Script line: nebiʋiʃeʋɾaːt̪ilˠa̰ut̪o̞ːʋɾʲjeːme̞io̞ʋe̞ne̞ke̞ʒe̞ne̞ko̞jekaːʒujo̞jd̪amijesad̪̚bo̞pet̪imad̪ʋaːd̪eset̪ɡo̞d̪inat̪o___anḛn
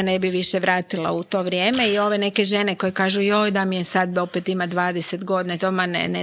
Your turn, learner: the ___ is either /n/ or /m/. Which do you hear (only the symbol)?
m